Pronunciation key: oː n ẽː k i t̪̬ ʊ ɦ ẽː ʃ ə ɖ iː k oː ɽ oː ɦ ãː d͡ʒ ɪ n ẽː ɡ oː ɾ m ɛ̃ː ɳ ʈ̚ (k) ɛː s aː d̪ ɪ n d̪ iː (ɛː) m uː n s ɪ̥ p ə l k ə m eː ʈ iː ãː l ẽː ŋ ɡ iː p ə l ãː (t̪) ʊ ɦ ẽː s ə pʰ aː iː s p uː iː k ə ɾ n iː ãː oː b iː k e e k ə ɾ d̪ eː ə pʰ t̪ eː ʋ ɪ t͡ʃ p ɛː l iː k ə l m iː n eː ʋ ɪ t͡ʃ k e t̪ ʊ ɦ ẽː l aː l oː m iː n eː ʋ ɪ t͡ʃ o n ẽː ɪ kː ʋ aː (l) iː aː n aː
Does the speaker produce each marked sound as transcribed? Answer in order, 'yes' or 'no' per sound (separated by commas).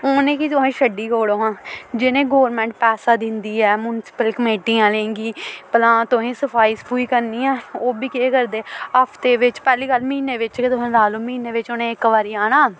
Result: no, yes, yes, no